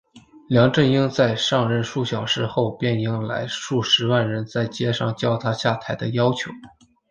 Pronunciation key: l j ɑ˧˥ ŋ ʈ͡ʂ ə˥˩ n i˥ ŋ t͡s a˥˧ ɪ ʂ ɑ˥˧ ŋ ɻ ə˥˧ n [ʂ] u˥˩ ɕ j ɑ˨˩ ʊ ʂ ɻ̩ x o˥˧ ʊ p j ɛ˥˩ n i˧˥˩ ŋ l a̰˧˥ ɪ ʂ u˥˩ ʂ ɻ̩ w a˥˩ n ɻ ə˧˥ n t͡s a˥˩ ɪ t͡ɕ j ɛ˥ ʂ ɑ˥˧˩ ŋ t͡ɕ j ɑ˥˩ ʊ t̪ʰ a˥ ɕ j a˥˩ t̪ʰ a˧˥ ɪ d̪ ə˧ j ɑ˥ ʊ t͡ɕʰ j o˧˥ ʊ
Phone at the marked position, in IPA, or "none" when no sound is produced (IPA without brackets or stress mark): ʂ